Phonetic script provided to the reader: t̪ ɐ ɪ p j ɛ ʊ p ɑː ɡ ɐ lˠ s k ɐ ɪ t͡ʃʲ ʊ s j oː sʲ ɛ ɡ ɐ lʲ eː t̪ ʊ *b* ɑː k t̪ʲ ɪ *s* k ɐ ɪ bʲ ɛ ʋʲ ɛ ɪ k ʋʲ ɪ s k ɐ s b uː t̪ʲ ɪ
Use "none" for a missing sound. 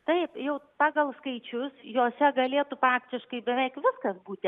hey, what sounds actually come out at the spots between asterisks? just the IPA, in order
p, ʃ

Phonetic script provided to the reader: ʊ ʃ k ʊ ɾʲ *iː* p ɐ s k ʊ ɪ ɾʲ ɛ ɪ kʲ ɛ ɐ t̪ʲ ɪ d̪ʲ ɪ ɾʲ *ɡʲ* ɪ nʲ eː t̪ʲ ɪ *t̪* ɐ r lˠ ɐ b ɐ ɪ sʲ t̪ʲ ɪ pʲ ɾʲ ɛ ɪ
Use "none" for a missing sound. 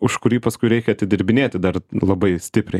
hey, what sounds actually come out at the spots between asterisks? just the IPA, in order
iː, bʲ, d̪

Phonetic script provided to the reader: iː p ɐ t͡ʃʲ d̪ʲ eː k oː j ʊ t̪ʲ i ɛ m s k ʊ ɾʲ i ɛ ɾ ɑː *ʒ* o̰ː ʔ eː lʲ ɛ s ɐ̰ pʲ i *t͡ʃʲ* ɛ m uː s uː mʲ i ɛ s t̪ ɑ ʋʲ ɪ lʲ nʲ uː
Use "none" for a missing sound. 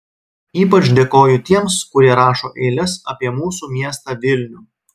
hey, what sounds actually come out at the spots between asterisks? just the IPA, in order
ʃ, none

